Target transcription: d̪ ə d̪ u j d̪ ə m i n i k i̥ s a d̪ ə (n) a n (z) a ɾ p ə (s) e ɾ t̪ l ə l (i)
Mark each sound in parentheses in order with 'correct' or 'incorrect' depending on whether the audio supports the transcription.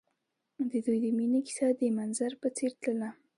incorrect: m, correct, incorrect: t͡s, incorrect: a

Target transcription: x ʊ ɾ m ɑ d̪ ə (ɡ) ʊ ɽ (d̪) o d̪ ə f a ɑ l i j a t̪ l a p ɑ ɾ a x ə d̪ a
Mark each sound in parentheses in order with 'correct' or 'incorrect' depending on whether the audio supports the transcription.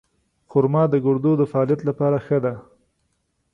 correct, correct

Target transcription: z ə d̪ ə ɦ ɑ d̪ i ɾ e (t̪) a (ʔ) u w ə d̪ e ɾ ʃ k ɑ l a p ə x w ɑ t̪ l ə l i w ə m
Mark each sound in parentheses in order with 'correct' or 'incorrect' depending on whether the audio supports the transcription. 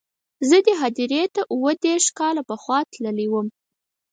correct, correct

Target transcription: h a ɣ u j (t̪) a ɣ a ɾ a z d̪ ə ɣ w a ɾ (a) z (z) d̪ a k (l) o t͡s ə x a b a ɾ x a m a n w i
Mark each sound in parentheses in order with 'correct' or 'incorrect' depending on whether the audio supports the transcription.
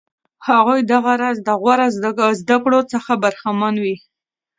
incorrect: d̪, correct, correct, incorrect: ɽ

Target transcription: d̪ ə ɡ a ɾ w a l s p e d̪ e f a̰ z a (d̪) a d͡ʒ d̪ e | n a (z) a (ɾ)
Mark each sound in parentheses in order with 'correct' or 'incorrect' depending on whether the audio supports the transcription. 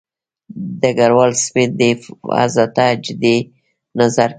incorrect: t̪, correct, correct

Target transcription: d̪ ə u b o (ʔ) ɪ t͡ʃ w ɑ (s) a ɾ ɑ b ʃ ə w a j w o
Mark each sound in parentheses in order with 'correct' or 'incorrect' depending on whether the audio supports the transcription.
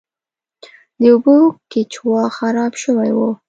incorrect: k, incorrect: x

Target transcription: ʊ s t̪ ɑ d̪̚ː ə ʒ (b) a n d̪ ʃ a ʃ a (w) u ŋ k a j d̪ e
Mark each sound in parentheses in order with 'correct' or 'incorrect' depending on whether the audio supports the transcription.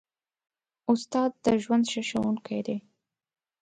incorrect: w, correct

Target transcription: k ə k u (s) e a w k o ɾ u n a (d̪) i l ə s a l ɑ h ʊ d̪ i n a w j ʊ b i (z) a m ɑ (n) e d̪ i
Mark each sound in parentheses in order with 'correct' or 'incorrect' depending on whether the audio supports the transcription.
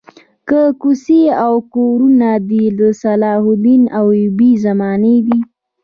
correct, correct, correct, correct

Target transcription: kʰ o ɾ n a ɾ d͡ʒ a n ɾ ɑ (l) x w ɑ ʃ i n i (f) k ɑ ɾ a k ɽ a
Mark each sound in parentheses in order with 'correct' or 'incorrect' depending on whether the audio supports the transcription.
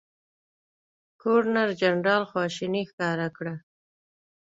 correct, incorrect: x

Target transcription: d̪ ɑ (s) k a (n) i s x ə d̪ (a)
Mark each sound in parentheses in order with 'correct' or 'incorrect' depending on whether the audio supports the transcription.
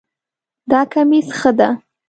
incorrect: none, incorrect: m, correct

